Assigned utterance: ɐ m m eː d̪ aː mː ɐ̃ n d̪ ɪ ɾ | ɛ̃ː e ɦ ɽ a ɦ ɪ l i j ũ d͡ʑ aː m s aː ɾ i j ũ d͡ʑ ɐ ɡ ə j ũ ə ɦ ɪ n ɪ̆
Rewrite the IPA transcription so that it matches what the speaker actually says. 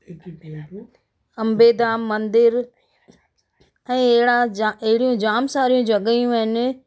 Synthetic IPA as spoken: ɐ m b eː d̪ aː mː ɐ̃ n d̪ ɪ ɾ | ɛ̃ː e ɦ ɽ a ɦ ɪ ɽ i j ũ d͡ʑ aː m s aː ɾ i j ũ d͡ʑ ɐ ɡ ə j ũ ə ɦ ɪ n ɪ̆